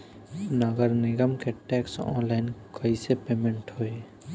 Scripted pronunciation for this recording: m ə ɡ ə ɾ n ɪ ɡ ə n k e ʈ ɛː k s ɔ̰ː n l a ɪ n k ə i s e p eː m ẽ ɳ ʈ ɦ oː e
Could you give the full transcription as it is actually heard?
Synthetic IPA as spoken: n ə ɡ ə ɾ n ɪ ɡ ə m k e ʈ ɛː k s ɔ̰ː n l a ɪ n k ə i s e p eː m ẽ ɳ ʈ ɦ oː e